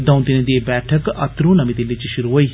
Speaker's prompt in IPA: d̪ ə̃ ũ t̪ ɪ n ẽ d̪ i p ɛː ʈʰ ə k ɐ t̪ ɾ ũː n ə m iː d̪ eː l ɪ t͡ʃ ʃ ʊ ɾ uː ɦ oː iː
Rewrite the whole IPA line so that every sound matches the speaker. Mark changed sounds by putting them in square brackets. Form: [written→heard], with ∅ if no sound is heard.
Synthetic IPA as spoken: d̪ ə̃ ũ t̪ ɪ n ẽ d̪ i [p→b] ɛː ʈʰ ə k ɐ t̪ ɾ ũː n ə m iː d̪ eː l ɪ t͡ʃ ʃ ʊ ɾ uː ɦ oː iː